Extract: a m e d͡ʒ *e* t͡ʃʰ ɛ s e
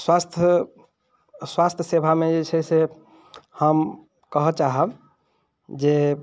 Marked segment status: correct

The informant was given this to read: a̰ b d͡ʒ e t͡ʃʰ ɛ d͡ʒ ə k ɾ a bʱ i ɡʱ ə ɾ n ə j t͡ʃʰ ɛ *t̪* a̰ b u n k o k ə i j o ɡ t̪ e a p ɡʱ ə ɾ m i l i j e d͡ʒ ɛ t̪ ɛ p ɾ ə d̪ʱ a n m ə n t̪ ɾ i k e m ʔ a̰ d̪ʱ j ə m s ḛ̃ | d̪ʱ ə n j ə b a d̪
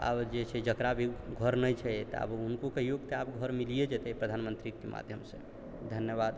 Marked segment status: correct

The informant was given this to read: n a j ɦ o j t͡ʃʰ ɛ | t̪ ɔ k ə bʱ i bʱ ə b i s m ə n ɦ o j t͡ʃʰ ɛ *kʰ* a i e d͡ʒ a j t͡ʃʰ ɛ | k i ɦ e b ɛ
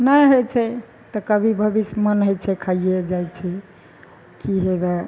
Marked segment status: correct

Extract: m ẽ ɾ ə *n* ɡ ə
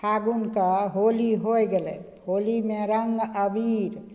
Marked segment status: incorrect: ŋ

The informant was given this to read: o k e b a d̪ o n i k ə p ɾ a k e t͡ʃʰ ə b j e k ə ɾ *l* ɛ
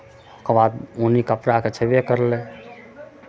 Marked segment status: correct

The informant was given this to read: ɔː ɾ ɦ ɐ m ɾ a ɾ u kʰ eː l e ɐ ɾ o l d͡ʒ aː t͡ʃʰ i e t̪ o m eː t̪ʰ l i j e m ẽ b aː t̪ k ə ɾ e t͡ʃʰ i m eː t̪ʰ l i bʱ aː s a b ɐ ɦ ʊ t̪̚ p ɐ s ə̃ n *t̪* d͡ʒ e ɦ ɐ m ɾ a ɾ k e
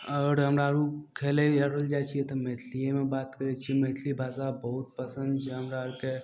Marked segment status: incorrect: d̪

